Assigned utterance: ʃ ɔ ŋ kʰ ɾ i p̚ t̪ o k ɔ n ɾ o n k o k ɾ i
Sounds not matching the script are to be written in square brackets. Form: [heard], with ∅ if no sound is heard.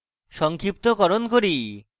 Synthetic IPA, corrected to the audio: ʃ ɔ ŋ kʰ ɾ i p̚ t̪ o k ɔ [∅] ɾ o n k o [∅] ɾ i